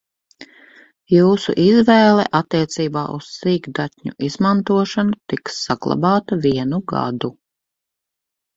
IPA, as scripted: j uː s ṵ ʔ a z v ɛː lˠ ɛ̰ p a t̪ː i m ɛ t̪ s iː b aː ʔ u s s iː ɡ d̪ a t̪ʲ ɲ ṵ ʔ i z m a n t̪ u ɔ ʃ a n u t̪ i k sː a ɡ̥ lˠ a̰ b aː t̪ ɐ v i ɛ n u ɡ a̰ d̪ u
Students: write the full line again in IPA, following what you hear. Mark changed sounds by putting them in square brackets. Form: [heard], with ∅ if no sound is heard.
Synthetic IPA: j uː s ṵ ʔ [i] z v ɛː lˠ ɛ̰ [ʔ] a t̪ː i [∅] ɛ t̪ s iː b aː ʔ u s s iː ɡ d̪ a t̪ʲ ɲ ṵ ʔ i z m a n t̪ u ɔ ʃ a n u t̪ i k sː a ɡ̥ lˠ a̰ b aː t̪ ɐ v i ɛ n u ɡ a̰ d̪ u

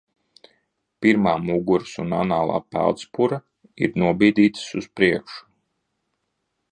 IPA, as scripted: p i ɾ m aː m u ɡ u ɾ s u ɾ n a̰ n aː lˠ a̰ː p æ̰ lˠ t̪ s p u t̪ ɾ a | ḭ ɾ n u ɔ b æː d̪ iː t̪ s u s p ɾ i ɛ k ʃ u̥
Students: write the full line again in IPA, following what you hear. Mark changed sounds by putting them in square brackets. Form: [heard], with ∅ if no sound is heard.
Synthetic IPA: p i ɾ m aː m u ɡ u ɾ s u [∅] n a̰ n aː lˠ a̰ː p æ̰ lˠ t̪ s p u [∅] ɾ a | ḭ ɾ n u ɔ b [iː] d̪ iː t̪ s u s p ɾ i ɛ k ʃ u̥

